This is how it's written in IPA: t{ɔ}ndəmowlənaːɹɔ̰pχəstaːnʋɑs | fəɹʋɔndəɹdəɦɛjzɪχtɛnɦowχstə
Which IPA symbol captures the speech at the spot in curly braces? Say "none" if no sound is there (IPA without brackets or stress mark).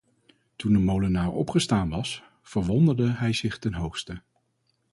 u